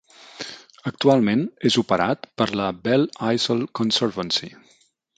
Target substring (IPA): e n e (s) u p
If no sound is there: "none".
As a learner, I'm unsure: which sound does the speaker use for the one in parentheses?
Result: z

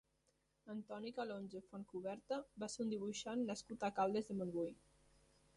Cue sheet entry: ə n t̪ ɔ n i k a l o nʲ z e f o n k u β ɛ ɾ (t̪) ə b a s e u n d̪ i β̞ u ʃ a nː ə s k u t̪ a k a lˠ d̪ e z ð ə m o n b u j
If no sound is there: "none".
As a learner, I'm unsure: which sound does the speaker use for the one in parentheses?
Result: t̪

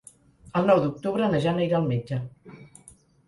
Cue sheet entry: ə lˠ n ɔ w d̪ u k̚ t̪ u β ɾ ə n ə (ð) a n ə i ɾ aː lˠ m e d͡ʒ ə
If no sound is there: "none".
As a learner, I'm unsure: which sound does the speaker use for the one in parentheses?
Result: ʒ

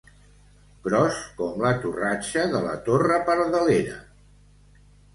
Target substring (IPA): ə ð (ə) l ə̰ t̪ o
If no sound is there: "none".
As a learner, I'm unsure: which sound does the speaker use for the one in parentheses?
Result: ə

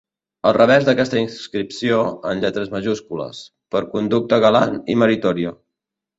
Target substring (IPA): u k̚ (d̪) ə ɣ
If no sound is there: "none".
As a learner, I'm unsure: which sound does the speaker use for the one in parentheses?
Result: t̪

